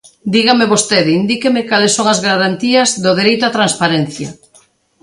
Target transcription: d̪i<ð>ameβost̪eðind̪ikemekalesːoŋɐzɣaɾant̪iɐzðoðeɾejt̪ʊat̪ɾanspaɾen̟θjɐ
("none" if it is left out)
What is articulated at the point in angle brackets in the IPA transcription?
ɣ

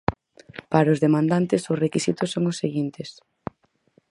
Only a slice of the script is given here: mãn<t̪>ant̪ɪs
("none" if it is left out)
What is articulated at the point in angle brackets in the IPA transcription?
d̪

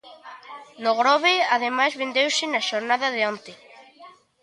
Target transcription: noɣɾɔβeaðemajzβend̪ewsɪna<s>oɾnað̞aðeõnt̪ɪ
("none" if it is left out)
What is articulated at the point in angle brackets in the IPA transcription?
ʃ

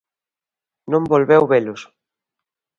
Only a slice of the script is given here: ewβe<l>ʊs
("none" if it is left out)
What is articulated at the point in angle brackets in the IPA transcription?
l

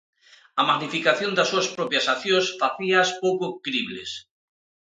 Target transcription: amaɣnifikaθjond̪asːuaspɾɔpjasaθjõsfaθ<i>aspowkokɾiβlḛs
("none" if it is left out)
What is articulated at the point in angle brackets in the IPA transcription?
i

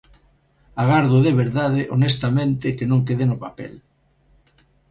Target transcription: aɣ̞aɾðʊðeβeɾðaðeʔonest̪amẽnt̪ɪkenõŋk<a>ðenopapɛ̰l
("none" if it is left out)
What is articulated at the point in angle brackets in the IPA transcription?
e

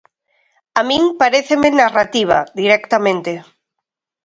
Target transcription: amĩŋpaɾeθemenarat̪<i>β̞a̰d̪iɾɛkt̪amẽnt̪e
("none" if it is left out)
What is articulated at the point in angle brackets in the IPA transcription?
i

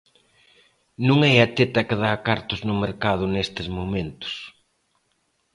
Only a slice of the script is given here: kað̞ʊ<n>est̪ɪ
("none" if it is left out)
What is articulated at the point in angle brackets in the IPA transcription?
n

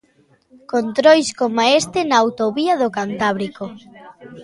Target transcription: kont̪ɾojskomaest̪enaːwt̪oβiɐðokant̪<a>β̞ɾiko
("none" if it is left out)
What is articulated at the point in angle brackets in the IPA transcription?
a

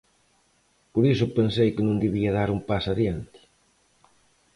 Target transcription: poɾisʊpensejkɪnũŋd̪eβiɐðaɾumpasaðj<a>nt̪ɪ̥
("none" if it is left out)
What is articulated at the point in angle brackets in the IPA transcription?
a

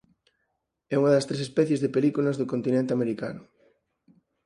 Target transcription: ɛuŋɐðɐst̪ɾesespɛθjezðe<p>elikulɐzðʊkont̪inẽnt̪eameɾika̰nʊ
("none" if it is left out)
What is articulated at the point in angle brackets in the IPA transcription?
p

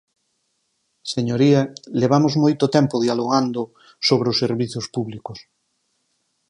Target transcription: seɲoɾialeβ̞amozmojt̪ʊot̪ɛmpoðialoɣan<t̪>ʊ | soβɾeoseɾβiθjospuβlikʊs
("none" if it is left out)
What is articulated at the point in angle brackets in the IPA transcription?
d̪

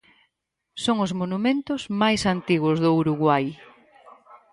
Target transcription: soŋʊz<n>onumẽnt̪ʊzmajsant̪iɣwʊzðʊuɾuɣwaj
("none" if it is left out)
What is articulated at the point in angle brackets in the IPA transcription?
m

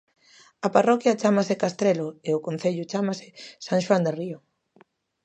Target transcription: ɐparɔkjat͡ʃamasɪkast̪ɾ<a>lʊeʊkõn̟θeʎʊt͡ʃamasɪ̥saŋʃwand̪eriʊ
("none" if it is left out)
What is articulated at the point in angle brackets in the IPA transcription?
e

